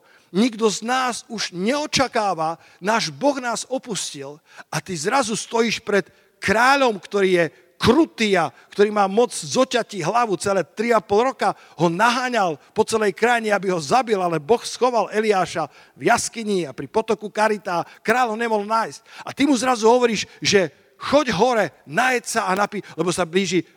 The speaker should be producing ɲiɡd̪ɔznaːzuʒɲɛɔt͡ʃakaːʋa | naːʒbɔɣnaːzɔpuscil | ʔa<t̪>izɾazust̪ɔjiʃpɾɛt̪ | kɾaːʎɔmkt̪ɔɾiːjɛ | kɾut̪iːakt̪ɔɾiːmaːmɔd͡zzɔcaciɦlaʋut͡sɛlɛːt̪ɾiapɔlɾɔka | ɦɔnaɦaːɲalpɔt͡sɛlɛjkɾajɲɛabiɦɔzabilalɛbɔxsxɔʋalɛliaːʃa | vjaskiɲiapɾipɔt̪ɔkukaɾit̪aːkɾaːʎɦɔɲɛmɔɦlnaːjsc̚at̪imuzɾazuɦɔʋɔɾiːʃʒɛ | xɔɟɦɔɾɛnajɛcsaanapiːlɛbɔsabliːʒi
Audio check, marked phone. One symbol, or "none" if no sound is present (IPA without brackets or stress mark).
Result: t̪